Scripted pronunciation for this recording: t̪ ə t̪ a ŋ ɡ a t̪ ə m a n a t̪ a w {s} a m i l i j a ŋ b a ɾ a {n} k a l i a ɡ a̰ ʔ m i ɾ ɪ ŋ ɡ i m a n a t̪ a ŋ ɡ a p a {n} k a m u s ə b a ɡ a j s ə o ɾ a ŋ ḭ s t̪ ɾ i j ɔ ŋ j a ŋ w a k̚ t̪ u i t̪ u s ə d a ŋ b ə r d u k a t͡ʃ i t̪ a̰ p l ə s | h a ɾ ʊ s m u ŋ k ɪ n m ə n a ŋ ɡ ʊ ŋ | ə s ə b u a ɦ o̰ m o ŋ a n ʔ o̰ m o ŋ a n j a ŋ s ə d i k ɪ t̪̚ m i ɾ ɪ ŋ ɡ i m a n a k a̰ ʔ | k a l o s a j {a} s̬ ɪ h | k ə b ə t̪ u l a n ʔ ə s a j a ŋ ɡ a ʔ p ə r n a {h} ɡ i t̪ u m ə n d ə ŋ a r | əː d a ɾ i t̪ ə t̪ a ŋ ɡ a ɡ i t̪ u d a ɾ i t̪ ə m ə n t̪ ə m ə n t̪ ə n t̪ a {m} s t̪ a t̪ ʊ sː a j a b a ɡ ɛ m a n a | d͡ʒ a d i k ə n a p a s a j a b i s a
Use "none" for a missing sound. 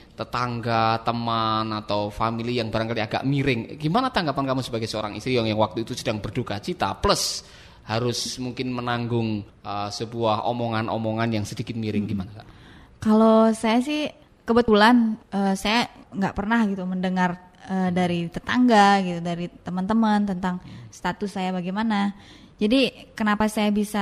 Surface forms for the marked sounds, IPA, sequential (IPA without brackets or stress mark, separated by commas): f, ŋ, n, a, h, ŋ